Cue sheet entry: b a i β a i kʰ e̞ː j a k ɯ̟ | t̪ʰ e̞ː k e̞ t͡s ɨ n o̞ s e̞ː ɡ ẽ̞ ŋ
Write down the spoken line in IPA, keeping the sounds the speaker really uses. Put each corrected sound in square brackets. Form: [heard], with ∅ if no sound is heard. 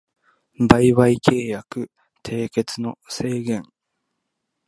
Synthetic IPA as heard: b a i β a i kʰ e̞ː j a k ɯ̟ | t̪ʰ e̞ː k e̞ t͡s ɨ n o̞ s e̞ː ɡ ẽ̞ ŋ